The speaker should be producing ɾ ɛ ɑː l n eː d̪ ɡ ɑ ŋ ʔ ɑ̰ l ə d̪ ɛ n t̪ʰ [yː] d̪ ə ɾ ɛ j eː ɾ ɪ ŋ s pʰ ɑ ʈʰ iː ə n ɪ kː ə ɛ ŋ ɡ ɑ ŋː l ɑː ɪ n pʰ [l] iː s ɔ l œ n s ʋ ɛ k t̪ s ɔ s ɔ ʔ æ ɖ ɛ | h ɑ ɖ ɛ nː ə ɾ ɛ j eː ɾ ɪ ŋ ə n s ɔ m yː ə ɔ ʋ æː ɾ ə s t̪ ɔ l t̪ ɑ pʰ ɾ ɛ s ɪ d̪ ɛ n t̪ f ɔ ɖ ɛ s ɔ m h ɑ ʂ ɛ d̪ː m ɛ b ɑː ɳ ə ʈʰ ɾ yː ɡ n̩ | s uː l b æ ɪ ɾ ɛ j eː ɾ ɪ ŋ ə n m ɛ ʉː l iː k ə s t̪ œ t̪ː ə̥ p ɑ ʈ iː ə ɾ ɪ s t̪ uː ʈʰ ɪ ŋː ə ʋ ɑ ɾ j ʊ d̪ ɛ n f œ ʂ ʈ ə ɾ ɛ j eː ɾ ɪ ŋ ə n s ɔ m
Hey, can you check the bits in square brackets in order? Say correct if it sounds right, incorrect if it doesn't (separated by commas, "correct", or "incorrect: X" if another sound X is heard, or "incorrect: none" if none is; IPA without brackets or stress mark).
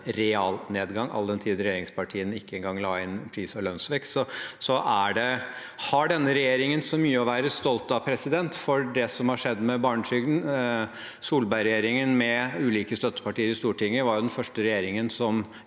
incorrect: iː, incorrect: ɾ